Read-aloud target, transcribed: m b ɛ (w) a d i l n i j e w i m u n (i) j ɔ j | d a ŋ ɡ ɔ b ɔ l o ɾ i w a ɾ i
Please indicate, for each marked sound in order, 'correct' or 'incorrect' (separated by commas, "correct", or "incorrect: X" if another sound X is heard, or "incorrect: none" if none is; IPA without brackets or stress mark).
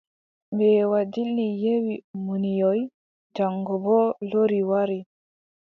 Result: correct, correct